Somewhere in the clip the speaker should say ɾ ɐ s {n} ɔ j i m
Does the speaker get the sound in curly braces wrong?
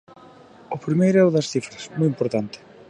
yes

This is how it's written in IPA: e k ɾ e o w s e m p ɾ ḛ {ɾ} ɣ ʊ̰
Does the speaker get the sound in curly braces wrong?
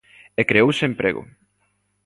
yes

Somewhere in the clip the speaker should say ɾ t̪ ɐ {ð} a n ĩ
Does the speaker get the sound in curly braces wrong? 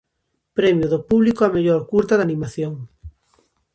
no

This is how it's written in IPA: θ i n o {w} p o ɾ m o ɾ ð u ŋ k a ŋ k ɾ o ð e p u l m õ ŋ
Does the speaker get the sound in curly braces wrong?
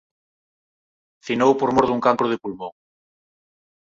no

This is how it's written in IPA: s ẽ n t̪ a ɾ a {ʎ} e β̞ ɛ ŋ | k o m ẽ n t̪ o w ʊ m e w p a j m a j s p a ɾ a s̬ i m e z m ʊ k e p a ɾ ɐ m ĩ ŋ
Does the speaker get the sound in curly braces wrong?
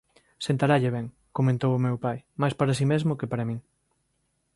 no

